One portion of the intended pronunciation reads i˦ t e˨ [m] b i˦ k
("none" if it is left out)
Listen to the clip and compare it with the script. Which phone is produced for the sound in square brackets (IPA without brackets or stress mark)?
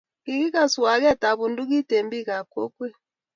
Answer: m